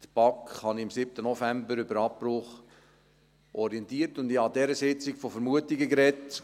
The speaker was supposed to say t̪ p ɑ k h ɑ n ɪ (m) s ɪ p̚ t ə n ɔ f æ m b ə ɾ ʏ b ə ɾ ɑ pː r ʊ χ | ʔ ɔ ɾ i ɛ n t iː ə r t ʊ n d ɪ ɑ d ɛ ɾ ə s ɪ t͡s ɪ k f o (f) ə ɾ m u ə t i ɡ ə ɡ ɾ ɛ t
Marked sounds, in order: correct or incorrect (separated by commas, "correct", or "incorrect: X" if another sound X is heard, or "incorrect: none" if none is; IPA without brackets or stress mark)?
correct, correct